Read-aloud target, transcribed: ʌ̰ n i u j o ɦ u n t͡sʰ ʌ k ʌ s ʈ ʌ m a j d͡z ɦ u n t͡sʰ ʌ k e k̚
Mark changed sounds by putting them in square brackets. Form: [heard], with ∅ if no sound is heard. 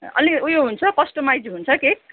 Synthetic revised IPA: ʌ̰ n i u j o ɦ u n t͡sʰ ʌ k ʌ s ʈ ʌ m a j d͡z ɦ u n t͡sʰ ʌ k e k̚

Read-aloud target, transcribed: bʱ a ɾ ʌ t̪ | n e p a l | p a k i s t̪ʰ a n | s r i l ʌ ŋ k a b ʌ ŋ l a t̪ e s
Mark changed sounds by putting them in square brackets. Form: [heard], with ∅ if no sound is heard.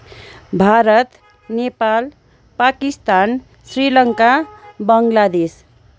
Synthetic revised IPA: bʱ a ɾ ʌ t̪ | n e p a l | p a k i s [t̪] a n | s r i l ʌ ŋ k a b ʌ ŋ l a [d̪] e s

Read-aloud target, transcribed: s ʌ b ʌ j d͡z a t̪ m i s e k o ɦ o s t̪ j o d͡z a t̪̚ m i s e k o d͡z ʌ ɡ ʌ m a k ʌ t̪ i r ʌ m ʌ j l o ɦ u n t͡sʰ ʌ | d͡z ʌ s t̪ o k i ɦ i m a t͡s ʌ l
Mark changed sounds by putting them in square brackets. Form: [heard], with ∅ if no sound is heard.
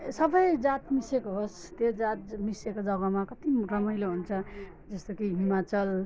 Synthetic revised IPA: s ʌ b ʌ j d͡z a t̪ m i s e k o ɦ o s t̪ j o d͡z a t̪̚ m i s e k o d͡z ʌ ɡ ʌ m a k ʌ t̪ i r ʌ m ʌ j l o ɦ u n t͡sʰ ʌ | d͡z ʌ s t̪ o k i ɦ i m a t͡s ʌ l

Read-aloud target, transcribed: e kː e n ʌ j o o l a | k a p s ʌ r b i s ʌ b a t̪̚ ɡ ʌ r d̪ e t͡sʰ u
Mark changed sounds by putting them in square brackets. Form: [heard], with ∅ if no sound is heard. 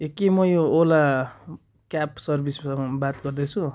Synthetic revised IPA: e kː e [m] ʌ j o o l a | k a p s ʌ r b i s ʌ b a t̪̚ ɡ ʌ r d̪ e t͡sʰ u

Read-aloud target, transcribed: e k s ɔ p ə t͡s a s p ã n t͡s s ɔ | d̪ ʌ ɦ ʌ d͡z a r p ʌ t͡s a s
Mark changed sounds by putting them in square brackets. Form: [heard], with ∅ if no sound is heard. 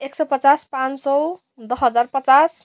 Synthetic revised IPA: e k s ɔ p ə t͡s a s p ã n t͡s s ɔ | d̪ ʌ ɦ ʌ d͡z a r p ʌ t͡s a s

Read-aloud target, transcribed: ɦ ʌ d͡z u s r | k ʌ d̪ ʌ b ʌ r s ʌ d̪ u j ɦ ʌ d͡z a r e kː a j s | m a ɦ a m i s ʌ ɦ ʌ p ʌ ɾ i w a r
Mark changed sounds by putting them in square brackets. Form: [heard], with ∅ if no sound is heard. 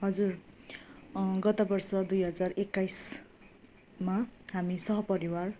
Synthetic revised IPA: ɦ ʌ d͡z u [∅] r | [ɡ] ʌ [t̪] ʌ b ʌ r s ʌ d̪ u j ɦ ʌ d͡z a r e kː a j s | m a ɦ a m i s ʌ ɦ ʌ p ʌ ɾ i w a r

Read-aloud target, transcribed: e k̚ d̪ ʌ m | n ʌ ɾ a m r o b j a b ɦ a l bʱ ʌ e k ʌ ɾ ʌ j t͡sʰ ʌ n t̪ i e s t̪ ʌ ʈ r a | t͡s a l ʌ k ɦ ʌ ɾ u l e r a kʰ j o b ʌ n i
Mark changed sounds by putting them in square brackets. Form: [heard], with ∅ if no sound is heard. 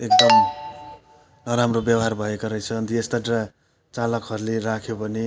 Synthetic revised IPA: e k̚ d̪ ʌ m | n ʌ ɾ a m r o b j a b ɦ a [r] bʱ ʌ e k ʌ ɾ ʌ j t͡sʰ ʌ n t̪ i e s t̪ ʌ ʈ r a | t͡s a l ʌ k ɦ ʌ ɾ u l e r a kʰ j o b ʌ n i

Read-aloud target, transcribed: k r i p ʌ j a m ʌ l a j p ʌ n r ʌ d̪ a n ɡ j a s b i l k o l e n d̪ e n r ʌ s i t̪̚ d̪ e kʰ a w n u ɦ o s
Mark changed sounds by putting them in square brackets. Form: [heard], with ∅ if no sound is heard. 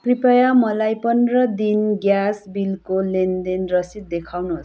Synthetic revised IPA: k r i p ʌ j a m ʌ l a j p ʌ n r ʌ d̪ [i] n ɡ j a s b i l k o l e n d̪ e n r ʌ s i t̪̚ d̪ e kʰ a w n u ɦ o s

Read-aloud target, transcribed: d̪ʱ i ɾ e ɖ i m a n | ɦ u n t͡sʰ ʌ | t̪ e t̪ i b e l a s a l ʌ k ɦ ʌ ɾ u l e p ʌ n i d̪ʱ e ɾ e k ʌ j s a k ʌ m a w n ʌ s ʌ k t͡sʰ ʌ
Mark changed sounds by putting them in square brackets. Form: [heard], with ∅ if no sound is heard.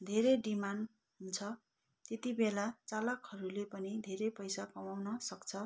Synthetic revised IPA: d̪ʱ [e] ɾ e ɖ i m a n | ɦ u n t͡sʰ ʌ | t̪ e t̪ i b e l a [t͡s] a l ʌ k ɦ ʌ ɾ u l e p ʌ n i d̪ʱ e ɾ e [p] ʌ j s a k ʌ m a w n ʌ s ʌ k t͡sʰ ʌ

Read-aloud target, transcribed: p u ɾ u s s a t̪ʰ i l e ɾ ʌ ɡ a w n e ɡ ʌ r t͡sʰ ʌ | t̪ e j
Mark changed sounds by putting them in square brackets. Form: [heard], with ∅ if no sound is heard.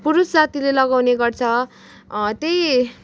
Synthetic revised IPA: p u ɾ u s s a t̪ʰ i l e [l] ʌ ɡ a w n e ɡ ʌ r t͡sʰ ʌ | t̪ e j

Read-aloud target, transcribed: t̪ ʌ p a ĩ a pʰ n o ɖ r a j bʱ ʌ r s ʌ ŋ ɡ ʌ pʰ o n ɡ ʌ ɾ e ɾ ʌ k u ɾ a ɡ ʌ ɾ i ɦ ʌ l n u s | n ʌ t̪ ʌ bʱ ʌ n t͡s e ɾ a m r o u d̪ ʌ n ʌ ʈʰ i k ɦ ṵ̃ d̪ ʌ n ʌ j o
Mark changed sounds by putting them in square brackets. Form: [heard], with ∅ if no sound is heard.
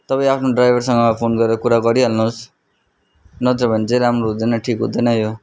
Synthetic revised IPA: t̪ ʌ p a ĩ a pʰ n o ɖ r a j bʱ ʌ r s ʌ ŋ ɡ ʌ pʰ o n ɡ ʌ ɾ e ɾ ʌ k u ɾ a ɡ ʌ ɾ i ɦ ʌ l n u s | n ʌ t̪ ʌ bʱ ʌ n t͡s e ɾ a m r o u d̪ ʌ n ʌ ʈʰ i k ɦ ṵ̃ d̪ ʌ n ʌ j o

